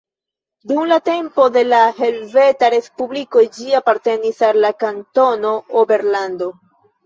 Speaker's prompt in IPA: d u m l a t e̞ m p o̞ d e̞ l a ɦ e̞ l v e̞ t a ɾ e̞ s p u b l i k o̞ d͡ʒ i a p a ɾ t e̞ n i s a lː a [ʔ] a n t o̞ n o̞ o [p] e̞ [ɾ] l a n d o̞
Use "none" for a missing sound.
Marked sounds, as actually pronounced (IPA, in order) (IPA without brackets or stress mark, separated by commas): k, b, ɾ